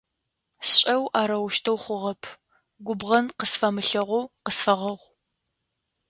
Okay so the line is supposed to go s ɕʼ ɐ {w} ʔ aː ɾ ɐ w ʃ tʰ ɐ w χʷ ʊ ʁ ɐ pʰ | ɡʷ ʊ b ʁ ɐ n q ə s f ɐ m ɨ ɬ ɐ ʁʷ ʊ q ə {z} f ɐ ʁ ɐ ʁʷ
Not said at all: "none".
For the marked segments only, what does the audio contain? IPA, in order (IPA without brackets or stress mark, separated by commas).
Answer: w, s